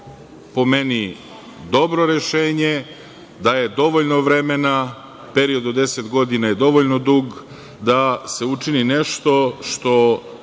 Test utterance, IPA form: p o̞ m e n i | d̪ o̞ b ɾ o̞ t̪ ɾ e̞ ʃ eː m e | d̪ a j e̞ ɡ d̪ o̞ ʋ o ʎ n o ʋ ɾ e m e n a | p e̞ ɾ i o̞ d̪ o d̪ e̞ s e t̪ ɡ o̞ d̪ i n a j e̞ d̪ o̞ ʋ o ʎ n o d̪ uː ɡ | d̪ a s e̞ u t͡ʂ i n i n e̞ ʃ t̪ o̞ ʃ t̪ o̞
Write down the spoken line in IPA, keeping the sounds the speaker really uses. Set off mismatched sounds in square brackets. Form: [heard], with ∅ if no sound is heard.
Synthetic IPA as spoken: p o̞ m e n i | d̪ o̞ b ɾ o̞ [∅] ɾ e̞ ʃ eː [ɲ] e | d̪ a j e̞ [∅] d̪ o̞ ʋ o ʎ n o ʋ ɾ e m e n a | p e̞ ɾ i o̞ d̪ o d̪ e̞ s e t̪ ɡ o̞ d̪ i n a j e̞ d̪ o̞ ʋ o ʎ n o d̪ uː ɡ | d̪ a s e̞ u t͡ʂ i n i n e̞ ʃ t̪ o̞ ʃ t̪ o̞